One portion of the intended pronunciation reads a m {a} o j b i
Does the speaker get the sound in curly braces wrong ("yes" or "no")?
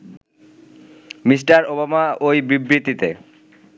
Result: no